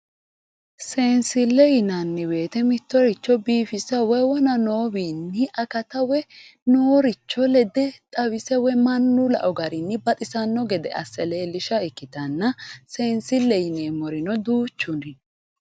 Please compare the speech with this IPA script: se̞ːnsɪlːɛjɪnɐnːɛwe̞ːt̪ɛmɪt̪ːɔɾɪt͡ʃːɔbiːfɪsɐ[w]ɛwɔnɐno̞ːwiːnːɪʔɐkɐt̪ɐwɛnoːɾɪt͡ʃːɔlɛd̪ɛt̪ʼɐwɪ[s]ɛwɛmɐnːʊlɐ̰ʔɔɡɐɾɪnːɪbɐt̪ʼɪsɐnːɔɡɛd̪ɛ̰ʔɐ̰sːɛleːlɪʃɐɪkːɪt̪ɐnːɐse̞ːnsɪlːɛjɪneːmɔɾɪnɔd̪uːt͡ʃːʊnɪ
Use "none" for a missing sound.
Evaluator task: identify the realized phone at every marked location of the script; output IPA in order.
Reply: w, s

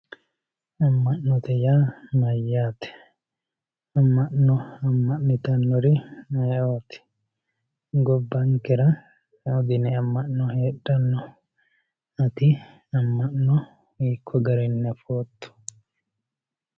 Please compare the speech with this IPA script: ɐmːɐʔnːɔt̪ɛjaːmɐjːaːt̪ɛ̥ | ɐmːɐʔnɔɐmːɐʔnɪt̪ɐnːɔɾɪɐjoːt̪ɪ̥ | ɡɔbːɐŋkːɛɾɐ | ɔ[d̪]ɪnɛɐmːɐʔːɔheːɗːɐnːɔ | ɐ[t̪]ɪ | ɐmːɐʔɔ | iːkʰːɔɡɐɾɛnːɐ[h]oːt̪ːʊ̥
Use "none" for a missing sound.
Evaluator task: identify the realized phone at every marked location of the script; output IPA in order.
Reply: d̪, t̪, f

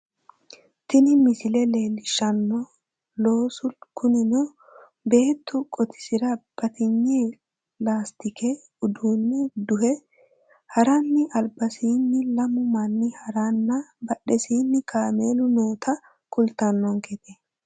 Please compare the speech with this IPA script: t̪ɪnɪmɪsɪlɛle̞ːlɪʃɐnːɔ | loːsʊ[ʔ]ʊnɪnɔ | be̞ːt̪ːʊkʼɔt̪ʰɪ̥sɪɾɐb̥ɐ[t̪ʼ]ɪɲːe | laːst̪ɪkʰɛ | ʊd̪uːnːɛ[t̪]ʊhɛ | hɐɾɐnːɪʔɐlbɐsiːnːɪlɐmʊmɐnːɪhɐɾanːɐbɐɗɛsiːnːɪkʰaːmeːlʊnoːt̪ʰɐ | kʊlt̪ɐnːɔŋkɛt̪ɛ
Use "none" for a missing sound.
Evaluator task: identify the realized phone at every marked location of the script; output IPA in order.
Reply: k, t̪, d̪

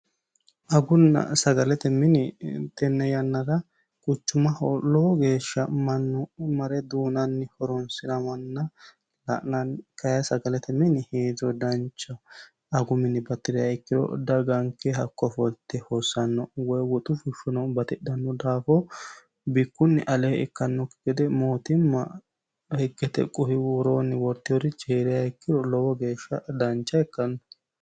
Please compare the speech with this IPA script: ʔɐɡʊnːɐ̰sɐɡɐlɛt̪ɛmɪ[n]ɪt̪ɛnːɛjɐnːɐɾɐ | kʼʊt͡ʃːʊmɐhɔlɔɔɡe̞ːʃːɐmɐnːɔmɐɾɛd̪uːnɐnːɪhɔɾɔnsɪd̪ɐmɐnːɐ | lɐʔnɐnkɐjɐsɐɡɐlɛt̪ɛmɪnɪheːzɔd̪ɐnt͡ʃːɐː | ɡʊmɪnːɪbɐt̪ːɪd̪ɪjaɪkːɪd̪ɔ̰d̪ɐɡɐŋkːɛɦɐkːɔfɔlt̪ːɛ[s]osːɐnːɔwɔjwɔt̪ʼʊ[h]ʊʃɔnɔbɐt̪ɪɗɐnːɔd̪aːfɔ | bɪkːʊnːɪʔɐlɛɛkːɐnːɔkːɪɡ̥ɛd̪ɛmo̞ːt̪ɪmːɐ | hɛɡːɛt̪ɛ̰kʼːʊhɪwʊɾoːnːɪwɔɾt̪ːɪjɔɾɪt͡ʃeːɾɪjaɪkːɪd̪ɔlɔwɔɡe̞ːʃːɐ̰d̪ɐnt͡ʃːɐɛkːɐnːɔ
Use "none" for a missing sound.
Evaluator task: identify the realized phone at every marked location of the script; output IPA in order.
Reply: n, h, f

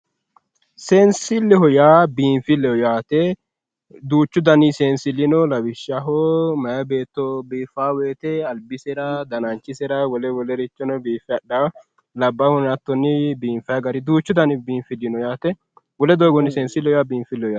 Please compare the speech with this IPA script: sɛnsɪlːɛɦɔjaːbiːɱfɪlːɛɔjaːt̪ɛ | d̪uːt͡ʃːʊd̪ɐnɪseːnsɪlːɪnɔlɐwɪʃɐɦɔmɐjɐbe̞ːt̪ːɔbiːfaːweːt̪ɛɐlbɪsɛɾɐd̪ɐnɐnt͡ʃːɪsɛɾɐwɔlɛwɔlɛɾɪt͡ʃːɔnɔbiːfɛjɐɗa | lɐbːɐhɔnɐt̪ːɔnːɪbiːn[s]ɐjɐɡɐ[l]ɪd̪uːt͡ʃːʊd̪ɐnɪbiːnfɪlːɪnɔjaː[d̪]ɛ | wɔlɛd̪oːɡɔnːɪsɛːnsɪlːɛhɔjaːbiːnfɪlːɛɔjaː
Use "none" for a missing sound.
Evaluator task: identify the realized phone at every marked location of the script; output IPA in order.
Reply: f, ɾ, t̪

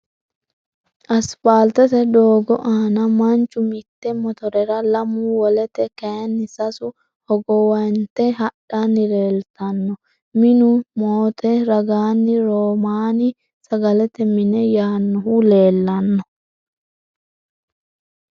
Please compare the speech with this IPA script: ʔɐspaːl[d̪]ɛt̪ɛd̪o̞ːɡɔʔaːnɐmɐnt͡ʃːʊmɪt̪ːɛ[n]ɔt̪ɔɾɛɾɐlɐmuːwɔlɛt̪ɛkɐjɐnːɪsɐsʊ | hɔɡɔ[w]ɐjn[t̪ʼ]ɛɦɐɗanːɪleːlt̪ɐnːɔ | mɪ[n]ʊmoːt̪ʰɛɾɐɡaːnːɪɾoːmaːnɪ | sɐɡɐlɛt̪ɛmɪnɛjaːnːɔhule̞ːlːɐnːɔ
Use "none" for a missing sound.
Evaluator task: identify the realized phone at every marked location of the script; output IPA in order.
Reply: t̪, m, w, t̪, n

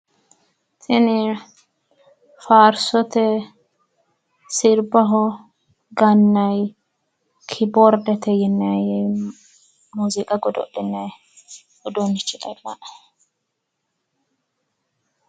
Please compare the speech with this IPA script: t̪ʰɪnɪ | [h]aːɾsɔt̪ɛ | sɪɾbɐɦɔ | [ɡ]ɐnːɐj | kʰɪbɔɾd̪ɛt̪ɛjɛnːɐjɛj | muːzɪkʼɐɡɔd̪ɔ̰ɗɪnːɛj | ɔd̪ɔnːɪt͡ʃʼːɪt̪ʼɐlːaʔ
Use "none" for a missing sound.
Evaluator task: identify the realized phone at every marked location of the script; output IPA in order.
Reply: f, ɡ

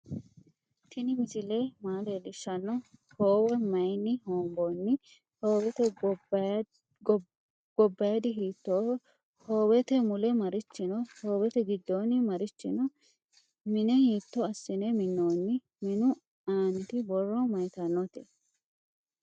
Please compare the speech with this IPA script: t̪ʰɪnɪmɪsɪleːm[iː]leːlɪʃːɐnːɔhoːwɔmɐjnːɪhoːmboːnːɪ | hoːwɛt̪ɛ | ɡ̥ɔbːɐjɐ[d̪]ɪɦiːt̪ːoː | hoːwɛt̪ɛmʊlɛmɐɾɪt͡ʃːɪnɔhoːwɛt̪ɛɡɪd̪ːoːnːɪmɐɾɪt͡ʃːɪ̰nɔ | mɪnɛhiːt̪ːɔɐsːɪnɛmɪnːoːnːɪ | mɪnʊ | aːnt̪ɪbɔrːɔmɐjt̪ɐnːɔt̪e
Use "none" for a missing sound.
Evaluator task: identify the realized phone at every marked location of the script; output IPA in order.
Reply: aː, d̪

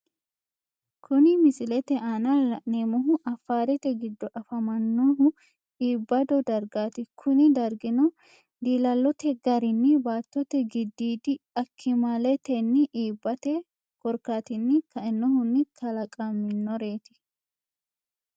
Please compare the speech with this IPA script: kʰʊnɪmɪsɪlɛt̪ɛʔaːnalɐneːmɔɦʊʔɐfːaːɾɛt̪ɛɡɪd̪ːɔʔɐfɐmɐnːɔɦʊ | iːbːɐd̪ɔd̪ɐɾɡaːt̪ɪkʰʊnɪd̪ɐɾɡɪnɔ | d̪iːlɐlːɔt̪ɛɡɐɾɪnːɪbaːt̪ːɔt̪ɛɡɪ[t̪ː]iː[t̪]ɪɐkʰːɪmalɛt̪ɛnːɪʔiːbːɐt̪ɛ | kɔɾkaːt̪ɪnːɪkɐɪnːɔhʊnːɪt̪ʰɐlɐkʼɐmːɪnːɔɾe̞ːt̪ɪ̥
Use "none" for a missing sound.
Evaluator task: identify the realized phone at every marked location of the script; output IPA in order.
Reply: d̪ː, d̪

